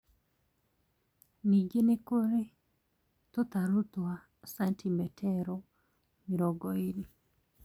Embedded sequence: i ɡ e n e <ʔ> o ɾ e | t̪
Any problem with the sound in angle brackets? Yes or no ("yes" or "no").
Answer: yes